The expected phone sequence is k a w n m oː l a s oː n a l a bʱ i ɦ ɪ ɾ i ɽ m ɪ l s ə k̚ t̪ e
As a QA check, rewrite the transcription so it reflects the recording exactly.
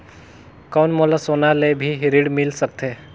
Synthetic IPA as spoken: k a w n m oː l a s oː n a l e bʱ i ɦ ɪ ɾ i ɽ m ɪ l s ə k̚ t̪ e